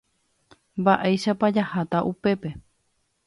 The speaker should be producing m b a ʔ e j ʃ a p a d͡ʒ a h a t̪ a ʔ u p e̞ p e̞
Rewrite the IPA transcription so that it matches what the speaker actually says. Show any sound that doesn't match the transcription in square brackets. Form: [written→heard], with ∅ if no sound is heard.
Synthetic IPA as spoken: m b a ʔ e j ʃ a p a d͡ʒ a h a t̪ a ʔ u p e̞ p e̞